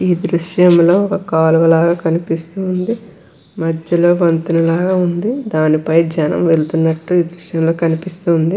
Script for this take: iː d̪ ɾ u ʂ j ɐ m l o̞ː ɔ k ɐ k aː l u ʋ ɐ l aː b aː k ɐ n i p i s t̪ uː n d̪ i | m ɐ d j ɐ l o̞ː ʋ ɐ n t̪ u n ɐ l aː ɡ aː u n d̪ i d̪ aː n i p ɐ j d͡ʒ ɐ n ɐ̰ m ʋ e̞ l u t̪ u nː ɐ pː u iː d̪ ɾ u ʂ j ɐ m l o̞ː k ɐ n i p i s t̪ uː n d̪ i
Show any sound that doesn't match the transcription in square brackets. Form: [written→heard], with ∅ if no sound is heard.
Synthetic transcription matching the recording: iː d̪ ɾ u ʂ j ɐ m l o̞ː ɔ k ɐ k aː l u ʋ ɐ l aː [b→ɡ] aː k ɐ n i p i s t̪ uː n d̪ i | m ɐ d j ɐ l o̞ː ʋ ɐ n t̪ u n ɐ l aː ɡ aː u n d̪ i d̪ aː n i p ɐ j d͡ʒ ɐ n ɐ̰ m ʋ e̞ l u t̪ u nː ɐ [pː→ʈː] u iː d̪ ɾ u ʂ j ɐ m l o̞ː k ɐ n i p i s t̪ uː n d̪ i